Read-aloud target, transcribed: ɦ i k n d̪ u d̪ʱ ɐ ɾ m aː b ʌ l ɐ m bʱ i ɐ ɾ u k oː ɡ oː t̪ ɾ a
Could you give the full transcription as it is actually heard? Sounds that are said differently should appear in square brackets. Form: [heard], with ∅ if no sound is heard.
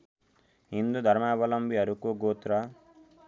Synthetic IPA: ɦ i [∅] n d̪ u d̪ʱ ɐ ɾ m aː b [ɐ] l ɐ m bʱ i ɐ ɾ u k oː ɡ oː t̪ ɾ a